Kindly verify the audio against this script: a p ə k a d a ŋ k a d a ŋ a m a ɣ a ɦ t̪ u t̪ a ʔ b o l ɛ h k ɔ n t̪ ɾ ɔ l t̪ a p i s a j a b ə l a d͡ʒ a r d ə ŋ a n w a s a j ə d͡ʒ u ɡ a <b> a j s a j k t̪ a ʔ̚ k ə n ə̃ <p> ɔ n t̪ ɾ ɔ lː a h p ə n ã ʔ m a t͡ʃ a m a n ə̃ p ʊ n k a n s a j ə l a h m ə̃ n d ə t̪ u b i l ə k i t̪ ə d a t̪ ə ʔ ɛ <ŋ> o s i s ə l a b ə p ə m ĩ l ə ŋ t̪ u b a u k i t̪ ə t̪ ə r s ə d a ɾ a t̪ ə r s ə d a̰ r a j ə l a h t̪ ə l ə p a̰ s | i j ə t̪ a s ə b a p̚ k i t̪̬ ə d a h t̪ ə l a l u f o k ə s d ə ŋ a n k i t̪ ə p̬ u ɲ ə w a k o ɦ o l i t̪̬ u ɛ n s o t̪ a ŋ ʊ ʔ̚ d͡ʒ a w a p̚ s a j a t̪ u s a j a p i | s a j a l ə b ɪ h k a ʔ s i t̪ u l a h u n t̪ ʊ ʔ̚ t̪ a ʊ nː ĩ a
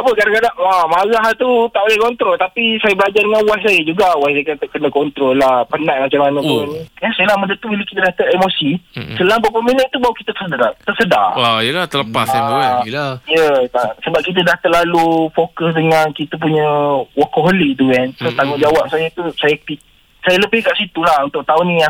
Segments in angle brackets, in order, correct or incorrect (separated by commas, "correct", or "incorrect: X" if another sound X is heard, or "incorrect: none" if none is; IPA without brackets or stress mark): incorrect: w, incorrect: k, incorrect: m